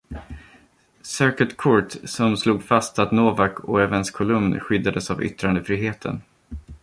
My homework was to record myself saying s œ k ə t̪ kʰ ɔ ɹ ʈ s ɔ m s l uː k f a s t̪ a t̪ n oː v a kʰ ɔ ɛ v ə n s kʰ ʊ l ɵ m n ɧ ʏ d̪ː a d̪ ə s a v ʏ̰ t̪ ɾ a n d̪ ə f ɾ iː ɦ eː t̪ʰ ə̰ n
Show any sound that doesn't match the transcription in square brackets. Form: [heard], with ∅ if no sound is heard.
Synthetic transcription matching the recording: s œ k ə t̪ kʰ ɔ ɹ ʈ s ɔ m s l uː [ɡ] f a s t̪ a t̪ n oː v a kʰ ɔ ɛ v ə n s kʰ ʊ l ɵ m n ɧ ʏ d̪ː a d̪ ə s a v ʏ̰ t̪ ɾ a n d̪ ə f ɾ iː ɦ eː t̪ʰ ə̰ n